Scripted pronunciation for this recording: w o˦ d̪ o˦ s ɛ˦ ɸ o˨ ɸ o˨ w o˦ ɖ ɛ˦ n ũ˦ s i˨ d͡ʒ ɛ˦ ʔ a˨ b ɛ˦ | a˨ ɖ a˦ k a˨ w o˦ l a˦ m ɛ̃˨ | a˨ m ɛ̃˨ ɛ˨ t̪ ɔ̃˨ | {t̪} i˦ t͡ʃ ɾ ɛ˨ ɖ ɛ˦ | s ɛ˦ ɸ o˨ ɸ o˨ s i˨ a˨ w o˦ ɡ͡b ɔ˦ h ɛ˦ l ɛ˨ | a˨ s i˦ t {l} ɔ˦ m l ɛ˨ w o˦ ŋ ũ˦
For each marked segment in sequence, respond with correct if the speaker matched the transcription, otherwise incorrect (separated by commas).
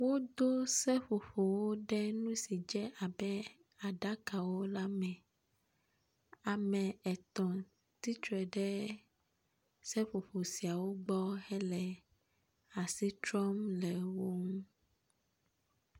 correct, incorrect